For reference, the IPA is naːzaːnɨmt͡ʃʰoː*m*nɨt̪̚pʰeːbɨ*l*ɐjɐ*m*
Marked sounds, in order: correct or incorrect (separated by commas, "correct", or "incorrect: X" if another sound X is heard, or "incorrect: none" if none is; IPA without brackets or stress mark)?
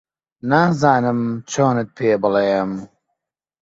incorrect: none, correct, correct